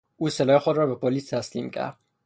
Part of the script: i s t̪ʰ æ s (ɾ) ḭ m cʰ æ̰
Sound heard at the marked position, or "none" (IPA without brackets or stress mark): l